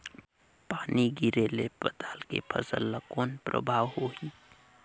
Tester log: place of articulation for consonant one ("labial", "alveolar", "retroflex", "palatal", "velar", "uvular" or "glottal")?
labial